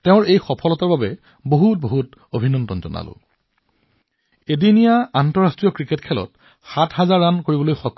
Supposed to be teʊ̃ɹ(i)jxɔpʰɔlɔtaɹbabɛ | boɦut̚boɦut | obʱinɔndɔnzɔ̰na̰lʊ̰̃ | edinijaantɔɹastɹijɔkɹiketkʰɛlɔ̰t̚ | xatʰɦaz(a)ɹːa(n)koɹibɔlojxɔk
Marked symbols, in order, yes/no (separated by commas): no, yes, yes